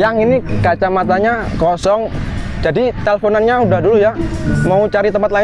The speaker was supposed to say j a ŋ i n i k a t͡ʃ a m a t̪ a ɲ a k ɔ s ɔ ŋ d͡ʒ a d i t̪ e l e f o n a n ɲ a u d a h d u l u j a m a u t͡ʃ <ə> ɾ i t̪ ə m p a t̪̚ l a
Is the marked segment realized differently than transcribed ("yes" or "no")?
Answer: yes